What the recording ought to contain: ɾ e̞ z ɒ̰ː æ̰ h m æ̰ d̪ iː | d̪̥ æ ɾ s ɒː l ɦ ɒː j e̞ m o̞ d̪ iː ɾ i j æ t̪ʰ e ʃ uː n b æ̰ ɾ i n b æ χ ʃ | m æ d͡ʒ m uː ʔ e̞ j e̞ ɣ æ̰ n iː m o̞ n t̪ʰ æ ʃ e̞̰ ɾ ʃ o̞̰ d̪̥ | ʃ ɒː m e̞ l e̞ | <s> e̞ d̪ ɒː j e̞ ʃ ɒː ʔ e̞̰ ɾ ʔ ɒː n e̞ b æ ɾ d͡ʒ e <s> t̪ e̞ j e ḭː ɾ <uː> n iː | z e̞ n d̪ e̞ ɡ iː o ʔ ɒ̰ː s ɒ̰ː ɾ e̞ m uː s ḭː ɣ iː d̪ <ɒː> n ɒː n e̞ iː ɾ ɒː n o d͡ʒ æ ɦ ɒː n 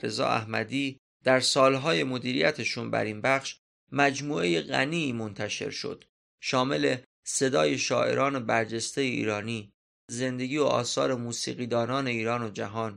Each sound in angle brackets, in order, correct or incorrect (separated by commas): correct, correct, incorrect, correct